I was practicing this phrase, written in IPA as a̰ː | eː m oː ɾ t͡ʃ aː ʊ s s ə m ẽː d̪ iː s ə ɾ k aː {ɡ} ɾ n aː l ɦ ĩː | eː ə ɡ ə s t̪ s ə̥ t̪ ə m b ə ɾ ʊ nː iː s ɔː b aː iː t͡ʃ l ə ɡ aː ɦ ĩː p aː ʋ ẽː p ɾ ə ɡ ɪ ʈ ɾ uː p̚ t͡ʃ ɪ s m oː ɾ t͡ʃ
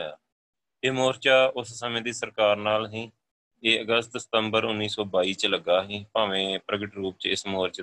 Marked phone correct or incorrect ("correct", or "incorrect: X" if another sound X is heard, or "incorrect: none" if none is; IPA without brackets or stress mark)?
incorrect: none